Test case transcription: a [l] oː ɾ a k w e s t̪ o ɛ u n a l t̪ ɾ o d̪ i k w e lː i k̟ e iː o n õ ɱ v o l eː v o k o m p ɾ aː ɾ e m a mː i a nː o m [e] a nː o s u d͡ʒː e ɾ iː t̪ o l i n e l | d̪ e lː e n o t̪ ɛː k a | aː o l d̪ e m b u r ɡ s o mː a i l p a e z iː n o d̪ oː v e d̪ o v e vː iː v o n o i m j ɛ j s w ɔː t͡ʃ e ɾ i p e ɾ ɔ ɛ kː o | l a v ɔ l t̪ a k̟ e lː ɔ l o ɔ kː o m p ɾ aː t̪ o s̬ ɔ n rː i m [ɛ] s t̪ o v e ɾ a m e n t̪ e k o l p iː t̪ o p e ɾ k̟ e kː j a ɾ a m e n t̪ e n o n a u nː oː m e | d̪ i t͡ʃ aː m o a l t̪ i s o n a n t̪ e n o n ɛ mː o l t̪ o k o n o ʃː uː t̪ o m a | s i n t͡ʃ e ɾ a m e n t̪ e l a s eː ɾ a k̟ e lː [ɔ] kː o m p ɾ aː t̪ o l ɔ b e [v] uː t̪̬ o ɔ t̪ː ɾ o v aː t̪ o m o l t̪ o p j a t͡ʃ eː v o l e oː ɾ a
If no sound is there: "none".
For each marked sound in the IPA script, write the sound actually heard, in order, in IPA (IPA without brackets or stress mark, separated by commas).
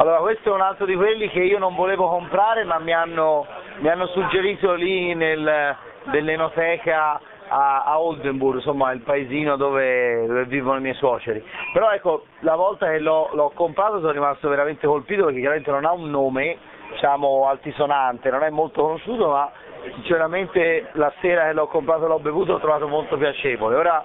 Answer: lː, i, a, ɔ, v